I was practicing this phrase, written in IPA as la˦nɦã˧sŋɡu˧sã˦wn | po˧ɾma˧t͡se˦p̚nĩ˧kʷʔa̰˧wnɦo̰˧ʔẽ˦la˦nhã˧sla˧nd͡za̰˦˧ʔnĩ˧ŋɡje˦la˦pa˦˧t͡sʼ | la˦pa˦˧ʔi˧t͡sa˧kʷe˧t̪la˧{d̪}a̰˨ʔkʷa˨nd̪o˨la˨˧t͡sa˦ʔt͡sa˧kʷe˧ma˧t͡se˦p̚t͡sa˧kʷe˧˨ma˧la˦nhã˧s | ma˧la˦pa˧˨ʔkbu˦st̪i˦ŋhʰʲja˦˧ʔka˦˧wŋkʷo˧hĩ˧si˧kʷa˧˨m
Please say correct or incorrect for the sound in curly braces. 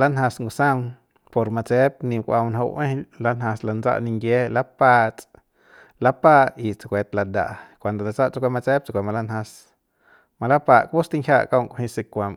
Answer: correct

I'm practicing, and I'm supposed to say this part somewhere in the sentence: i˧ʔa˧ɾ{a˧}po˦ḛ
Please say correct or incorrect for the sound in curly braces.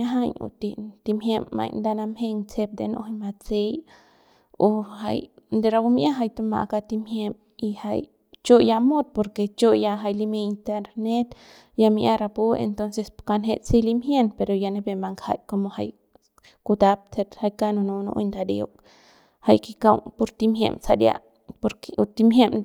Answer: correct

